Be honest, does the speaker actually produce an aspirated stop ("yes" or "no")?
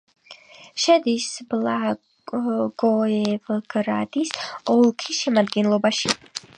yes